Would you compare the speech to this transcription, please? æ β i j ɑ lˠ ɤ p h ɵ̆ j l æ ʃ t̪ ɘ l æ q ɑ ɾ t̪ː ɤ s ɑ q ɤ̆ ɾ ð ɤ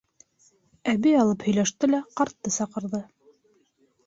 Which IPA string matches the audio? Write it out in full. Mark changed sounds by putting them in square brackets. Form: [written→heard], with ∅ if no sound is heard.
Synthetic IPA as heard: æ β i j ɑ lˠ ɤ p h ɵ̆ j l æ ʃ t̪ ɘ l æ q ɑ ɾ t̪ː ɤ s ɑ q ɤ̆ ɾ ð ɤ